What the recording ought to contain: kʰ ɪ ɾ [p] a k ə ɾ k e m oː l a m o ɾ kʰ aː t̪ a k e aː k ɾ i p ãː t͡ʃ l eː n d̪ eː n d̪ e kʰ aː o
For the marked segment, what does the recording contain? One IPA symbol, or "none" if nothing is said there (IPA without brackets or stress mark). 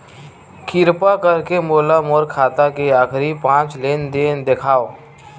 p